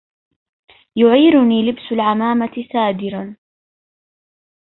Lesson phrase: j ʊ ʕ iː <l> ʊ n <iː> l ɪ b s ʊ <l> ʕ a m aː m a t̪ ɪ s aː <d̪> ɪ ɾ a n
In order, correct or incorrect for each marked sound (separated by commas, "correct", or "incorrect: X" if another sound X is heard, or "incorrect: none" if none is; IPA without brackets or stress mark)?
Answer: incorrect: ɾ, correct, correct, correct